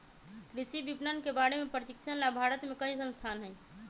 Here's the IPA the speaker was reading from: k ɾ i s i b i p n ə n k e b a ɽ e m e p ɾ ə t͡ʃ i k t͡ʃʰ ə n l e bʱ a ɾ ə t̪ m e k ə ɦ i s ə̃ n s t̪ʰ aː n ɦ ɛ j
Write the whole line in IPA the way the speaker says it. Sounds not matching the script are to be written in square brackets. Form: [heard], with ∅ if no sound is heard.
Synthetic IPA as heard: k ɾ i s i b i p n ə n k e b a ɽ e m e p ɾ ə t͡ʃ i k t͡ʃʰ ə n l [a] bʱ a ɾ ə t̪ m e k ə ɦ i s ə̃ n s t̪ʰ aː n ɦ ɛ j